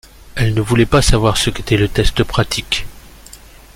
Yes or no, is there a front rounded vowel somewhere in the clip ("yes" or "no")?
no